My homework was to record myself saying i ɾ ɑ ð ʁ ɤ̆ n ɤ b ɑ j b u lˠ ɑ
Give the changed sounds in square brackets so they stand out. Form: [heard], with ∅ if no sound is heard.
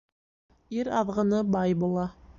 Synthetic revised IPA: i ɾ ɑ ð ʁ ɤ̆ n ɤ b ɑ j b u lˠ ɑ